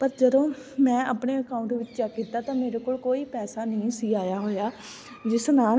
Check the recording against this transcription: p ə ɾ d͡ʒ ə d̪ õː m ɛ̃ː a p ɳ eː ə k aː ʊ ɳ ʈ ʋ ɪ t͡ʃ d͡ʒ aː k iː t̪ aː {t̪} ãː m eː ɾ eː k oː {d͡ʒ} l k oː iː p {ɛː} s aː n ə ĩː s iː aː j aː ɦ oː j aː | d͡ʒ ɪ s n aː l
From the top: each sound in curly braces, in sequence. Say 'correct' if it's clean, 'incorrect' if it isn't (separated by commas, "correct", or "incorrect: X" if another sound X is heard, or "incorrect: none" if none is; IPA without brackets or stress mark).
correct, incorrect: none, correct